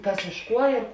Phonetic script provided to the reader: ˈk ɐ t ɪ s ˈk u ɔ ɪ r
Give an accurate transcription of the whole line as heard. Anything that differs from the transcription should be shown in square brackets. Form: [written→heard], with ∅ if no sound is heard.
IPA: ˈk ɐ [t→s] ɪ [s→ʃ] ˈk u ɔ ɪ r